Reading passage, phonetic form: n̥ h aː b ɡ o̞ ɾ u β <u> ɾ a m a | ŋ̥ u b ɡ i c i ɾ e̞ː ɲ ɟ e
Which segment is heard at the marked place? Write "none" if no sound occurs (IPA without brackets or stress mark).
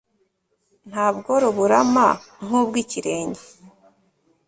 u